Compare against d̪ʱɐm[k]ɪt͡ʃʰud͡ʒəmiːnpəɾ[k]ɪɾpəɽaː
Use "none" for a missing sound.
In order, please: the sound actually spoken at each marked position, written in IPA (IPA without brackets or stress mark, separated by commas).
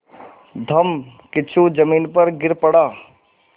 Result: k, ɡ